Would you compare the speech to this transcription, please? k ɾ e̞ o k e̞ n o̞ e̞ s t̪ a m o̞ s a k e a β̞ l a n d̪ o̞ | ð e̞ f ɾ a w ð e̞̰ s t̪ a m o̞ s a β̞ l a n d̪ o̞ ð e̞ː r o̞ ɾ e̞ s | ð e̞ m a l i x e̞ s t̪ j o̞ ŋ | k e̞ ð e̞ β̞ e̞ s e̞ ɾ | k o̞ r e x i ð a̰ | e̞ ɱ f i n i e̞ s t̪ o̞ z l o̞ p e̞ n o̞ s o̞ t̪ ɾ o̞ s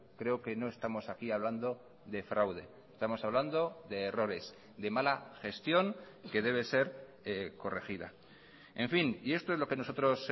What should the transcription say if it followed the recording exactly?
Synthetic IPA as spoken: k ɾ e̞ o k e̞ n o̞ e̞ s t̪ a m o̞ s a k i a β̞ l a n d̪ o̞ | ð e̞ f ɾ a w ð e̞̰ s t̪ a m o̞ s a β̞ l a n d̪ o̞ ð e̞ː r o̞ ɾ e̞ s | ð e̞ m a l a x e̞ s t̪ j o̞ ŋ | k e̞ ð e̞ β̞ e̞ s e̞ ɾ | k o̞ r e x i ð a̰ | e̞ ɱ f i n i e̞ s t̪ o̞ z l o̞ k e̞ n o̞ s o̞ t̪ ɾ o̞ s